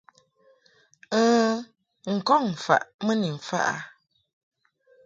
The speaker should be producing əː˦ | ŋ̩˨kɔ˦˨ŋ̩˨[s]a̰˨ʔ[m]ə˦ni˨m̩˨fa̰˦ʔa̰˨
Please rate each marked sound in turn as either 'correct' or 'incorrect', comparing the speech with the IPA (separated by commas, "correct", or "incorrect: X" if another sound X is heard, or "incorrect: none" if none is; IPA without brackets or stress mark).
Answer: incorrect: f, correct